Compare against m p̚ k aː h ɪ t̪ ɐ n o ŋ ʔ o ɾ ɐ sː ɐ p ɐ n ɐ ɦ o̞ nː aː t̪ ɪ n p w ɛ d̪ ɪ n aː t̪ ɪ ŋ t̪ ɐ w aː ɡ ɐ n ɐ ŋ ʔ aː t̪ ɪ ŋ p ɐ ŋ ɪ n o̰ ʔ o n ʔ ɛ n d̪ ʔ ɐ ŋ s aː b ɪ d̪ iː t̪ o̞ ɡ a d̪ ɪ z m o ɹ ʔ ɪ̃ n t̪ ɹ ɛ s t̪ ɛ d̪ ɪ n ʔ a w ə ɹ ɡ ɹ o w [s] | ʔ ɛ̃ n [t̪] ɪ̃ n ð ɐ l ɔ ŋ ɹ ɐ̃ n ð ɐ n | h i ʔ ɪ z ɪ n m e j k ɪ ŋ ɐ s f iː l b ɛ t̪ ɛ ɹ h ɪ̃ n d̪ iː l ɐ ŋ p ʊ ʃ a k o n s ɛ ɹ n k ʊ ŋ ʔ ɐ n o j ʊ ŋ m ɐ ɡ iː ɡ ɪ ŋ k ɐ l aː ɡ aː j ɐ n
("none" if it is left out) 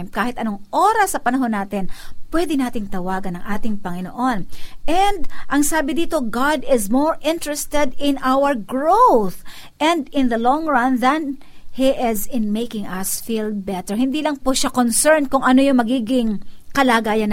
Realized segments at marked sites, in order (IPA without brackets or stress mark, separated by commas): θ, d̪